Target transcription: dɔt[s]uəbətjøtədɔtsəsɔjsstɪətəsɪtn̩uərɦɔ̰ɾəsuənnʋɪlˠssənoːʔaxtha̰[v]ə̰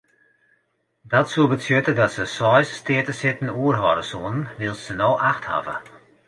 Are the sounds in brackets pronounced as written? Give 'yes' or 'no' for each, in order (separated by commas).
yes, yes